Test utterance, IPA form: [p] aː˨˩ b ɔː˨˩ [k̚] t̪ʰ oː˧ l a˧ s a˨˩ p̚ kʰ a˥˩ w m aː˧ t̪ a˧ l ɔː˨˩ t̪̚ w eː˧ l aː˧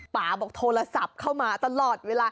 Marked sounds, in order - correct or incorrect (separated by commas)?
correct, correct